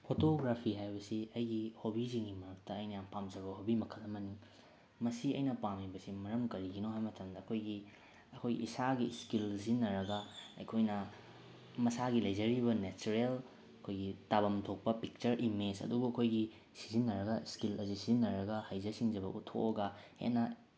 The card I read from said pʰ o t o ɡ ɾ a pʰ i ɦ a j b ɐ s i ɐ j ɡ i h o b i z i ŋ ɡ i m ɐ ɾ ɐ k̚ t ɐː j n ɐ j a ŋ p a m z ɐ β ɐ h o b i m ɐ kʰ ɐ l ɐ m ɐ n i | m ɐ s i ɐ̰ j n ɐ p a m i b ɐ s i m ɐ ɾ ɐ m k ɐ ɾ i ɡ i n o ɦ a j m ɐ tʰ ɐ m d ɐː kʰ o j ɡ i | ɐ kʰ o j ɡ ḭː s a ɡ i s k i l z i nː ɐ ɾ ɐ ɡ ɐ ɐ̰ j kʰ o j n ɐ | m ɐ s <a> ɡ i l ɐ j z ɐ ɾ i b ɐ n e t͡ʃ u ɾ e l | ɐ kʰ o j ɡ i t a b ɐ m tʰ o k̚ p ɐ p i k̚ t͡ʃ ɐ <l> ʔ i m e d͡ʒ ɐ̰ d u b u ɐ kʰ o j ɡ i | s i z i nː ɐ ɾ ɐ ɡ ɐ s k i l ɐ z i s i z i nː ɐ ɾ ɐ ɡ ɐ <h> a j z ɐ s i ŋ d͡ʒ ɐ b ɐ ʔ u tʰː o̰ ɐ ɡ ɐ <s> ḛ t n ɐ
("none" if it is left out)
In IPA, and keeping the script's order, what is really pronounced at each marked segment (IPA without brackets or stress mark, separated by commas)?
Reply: a, ɾ, h, h